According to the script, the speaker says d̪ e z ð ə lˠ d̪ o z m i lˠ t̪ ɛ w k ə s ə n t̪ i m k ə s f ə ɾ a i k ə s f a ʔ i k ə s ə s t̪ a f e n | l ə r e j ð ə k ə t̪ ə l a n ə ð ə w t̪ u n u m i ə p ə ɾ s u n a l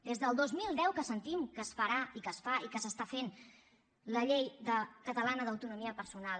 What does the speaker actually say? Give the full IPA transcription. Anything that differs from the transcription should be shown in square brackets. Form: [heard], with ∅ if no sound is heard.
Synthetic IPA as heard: d̪ e z ð ə lˠ d̪ o z m i lˠ [d̪] ɛ w k ə s ə n t̪ i m k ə s f ə ɾ a i k ə s f a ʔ i k ə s ə s t̪ a f e n | l ə [ʎ] e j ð ə k ə t̪ ə l a n ə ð ə w t̪ u n u m i ə p ə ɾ s u n a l